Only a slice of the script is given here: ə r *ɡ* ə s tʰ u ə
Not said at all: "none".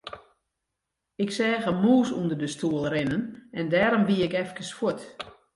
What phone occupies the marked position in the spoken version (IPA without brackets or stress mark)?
d